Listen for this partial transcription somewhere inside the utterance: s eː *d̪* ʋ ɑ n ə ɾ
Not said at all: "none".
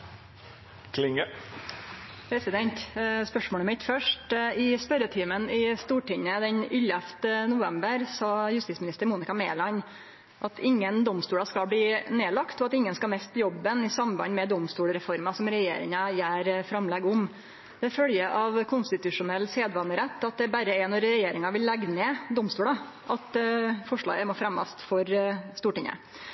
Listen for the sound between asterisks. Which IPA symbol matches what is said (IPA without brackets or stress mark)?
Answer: d̪